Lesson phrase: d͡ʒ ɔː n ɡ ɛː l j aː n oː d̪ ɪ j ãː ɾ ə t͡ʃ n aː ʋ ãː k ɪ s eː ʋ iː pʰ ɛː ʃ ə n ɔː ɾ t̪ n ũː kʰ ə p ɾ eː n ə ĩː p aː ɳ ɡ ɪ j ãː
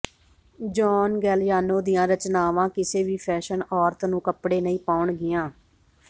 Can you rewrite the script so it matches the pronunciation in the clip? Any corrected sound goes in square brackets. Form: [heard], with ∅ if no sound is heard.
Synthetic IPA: d͡ʒ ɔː n ɡ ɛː l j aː n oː d̪ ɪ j ãː ɾ ə t͡ʃ n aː ʋ ãː k ɪ s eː ʋ iː pʰ ɛː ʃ ə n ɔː ɾ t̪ n ũː [k] ə p [ɽ] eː n ə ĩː p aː ɳ ɡ ɪ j ãː